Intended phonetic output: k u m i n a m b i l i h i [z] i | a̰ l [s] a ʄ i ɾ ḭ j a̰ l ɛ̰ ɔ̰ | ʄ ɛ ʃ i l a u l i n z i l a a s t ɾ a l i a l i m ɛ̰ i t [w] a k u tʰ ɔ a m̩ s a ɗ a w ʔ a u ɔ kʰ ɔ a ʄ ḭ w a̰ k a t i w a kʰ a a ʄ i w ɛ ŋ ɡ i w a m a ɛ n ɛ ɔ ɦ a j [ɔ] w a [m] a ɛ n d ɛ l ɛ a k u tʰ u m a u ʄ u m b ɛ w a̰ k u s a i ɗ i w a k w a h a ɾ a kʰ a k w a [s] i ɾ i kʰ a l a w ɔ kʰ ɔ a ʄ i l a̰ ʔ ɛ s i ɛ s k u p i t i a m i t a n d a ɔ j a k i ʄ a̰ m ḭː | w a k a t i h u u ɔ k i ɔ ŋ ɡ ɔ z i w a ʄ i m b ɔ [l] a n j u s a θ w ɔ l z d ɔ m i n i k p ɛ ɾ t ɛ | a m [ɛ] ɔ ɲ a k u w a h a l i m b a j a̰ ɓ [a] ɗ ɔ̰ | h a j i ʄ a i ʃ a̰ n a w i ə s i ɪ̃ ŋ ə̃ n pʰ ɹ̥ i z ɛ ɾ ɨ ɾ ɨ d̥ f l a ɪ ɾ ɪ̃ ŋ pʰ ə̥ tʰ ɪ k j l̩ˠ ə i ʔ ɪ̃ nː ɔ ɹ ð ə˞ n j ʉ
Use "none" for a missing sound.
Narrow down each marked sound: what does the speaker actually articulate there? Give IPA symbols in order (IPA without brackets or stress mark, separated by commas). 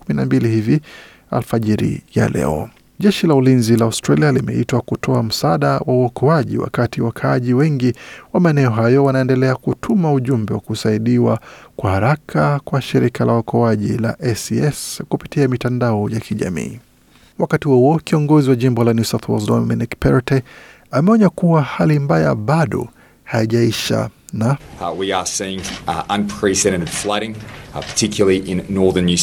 v, f, w, ɔ, n, ʃ, l, ɛ, a